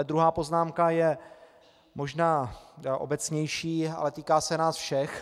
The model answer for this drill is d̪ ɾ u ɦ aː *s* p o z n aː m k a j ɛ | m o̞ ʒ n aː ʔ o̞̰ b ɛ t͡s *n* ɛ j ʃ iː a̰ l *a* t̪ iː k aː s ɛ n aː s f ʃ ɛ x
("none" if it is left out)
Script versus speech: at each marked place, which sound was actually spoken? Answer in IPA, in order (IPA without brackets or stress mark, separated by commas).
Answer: none, ɲ, ɛ